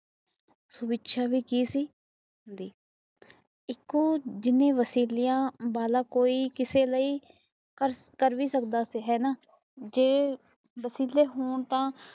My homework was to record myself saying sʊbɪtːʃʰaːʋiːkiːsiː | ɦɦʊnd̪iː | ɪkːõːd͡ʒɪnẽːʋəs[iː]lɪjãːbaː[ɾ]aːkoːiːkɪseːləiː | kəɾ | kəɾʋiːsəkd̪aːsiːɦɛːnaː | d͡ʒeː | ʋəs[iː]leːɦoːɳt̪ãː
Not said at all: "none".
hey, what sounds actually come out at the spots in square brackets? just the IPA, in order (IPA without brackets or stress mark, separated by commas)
iː, l, iː